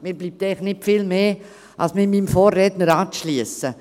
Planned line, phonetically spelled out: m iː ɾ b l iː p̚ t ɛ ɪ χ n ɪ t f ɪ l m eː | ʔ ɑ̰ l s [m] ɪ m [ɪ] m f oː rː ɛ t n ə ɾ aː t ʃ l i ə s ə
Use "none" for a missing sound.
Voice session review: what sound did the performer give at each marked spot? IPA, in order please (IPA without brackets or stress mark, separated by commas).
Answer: m, i